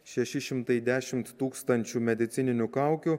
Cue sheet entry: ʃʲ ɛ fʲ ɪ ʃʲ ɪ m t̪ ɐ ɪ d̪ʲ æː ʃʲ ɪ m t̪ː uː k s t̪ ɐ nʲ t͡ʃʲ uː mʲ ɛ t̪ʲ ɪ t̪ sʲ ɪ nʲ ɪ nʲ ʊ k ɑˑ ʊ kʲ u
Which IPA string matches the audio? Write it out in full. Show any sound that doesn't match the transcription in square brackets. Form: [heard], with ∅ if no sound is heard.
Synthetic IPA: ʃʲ ɛ [ʃʲ] ɪ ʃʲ ɪ m t̪ ɐ ɪ d̪ʲ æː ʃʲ ɪ m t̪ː uː k s t̪ ɐ nʲ t͡ʃʲ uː mʲ ɛ [d̪ʲ] ɪ t̪ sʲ ɪ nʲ ɪ nʲ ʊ k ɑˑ ʊ kʲ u